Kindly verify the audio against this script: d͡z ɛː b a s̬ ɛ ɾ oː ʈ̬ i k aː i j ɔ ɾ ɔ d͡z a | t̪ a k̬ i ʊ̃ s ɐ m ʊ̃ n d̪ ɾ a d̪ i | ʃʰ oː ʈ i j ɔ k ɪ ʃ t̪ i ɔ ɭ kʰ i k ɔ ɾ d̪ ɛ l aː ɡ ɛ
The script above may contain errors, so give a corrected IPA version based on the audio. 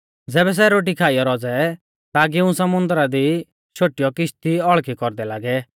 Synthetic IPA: d͡z ɛː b ɛ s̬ ɛ ɾ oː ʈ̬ i kʰ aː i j ɔ ɾ ɔ d͡z ɛ | t̪ a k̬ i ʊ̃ s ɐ m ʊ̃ n d̪ ɾ a d̪ i | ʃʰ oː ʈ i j ɔ k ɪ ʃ t̪ i ɔ ɭ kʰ i k ɔ ɾ d̪ ɛ l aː ɡ ɛ

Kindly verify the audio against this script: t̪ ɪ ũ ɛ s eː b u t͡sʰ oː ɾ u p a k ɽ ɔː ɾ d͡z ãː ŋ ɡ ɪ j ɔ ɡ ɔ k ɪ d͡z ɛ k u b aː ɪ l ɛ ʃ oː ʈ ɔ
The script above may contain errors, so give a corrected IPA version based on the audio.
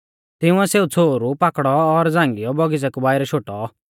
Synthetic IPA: t̪ ɪ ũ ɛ s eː u t͡sʰ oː ɾ u p a k ɽ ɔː ɾ d͡z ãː ŋ ɡ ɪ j ɔ b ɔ ɡ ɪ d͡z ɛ k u b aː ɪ ɾ ɛ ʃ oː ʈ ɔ

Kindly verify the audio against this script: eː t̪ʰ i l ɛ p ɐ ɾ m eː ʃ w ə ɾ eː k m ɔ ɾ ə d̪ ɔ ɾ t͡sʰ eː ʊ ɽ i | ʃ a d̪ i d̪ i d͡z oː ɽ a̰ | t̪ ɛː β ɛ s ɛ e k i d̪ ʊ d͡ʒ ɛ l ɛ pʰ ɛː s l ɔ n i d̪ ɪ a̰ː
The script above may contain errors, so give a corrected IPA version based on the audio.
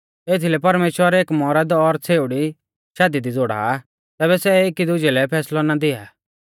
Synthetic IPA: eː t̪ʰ i l ɛ p ɐ ɾ m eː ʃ w ə ɾ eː k m ɔ ɾ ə d̪ ɔ ɾ t͡sʰ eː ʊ ɽ i | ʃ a d̪ i d̪ i d͡z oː ɽ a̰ | t̪ ɛː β ɛ s ɛ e k i d̪ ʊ d͡ʒ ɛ l ɛ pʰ ɛː s l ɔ n a d̪ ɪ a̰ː

